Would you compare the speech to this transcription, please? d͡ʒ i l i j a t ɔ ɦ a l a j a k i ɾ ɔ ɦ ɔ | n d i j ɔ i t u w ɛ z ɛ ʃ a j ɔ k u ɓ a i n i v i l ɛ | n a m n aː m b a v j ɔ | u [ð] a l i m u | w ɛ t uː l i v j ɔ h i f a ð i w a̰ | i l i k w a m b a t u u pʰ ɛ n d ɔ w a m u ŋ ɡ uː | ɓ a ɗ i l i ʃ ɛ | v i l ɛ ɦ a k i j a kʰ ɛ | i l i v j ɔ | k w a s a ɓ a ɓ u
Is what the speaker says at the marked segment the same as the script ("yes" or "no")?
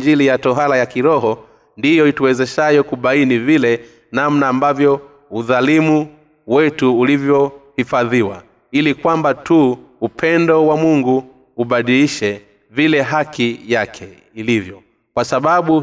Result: yes